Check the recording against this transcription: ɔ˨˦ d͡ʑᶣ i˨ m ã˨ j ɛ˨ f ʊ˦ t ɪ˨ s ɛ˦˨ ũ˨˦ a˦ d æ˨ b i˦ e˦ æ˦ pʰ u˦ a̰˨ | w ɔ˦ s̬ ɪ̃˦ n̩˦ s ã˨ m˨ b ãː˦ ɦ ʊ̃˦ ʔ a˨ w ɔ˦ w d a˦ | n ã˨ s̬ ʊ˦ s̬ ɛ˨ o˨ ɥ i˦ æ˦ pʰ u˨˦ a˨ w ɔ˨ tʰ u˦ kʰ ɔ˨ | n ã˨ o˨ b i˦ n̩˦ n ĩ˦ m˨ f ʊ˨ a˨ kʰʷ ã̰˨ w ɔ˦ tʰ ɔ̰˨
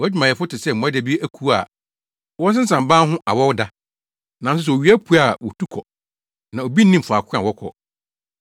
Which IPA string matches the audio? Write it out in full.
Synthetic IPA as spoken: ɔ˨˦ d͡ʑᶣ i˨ m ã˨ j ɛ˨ f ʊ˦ t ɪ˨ s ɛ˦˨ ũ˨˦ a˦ d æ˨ b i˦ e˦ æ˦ kʰ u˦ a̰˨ | w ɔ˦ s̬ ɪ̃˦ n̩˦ s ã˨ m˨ b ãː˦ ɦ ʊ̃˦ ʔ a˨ w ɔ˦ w d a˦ | n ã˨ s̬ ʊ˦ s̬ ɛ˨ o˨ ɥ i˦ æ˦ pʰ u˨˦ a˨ w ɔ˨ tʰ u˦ kʰ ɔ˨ | n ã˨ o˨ b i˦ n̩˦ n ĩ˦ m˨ f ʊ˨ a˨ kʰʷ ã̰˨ w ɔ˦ kʰ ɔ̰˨

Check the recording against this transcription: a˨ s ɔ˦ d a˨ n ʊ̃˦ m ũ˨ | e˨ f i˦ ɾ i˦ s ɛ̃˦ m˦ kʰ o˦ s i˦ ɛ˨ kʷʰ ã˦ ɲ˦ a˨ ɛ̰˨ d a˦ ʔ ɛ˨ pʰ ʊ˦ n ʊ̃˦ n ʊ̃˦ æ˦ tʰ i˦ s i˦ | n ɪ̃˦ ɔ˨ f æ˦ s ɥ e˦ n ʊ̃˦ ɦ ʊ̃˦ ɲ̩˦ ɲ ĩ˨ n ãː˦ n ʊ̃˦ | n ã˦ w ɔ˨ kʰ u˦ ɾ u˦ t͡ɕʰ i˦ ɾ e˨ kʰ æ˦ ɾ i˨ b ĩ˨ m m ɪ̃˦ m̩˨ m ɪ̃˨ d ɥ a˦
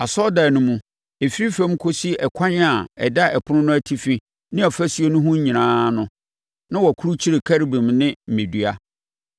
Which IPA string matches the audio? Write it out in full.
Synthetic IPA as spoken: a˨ s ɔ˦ d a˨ n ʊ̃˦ m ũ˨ | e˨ f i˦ ɾ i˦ f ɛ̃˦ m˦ kʰ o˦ s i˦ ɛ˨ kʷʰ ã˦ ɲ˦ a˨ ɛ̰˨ d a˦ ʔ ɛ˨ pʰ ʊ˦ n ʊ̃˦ n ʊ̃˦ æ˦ tʰ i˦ f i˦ | n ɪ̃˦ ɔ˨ f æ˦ s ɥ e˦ n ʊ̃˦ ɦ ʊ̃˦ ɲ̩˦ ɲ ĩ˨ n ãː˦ n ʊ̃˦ | n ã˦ w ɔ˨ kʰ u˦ ɾ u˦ t͡ɕʰ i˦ ɾ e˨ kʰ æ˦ ɾ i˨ b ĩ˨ m n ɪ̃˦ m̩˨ m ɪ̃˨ d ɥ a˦

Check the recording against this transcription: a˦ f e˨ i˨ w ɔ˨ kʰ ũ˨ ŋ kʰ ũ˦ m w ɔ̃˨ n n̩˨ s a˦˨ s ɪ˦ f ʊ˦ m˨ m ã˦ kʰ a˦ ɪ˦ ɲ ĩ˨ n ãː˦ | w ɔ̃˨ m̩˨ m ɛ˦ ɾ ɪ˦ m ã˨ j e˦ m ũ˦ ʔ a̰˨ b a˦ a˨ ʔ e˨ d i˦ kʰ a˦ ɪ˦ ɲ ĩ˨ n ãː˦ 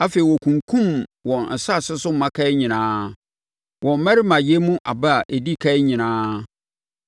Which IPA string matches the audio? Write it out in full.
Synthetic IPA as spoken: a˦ f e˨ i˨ w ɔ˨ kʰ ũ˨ ŋ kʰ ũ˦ m w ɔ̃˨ n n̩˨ s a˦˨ s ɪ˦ s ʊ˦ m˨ m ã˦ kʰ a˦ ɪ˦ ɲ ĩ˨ n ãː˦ | w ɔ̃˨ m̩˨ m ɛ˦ ɾ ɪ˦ m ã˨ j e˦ m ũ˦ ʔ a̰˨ b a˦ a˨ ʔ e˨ d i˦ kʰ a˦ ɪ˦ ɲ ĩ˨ n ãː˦

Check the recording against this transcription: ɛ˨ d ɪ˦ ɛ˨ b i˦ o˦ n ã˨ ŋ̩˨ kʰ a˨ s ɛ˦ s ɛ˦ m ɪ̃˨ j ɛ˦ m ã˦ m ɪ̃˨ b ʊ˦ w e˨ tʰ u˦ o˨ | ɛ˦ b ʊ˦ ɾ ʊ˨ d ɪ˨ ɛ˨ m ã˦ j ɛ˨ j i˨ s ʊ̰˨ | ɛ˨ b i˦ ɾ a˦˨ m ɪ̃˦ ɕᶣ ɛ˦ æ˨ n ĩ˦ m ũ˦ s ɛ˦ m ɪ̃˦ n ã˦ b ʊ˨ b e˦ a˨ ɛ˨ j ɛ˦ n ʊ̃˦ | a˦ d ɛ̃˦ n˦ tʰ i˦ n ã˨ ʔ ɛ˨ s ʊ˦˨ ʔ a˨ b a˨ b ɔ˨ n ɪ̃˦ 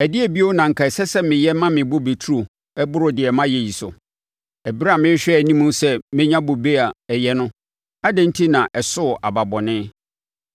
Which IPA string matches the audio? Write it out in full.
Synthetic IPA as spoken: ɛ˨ d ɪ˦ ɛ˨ b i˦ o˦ n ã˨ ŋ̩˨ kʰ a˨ s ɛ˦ s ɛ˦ m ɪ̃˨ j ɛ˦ m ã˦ m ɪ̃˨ b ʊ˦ b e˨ tʰ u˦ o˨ | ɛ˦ b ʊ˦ ɾ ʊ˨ d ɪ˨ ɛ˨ m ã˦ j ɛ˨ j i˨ s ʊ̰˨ | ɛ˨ b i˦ ɾ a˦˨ m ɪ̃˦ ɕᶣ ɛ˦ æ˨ n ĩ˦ m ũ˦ s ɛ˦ m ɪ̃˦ ɲ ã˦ b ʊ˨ b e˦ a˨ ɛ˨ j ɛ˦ n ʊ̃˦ | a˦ d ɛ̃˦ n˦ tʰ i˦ n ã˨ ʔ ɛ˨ s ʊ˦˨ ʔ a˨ b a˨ b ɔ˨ n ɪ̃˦

